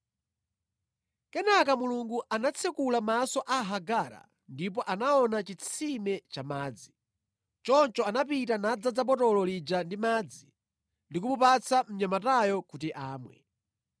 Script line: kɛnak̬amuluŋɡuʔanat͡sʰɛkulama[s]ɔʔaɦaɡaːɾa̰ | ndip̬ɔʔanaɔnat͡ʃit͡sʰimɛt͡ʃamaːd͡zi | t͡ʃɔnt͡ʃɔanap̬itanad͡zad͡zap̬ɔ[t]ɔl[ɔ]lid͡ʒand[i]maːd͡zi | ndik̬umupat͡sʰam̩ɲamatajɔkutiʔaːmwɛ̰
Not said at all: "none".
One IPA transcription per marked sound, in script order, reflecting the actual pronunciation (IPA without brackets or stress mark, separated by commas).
s, t, ɔ, i